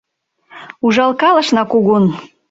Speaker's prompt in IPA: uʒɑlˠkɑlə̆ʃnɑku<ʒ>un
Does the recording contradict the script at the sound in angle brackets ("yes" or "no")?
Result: yes